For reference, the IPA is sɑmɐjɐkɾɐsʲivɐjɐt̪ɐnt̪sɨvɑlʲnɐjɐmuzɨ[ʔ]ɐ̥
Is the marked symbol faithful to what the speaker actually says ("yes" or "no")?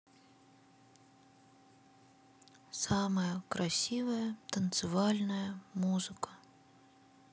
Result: no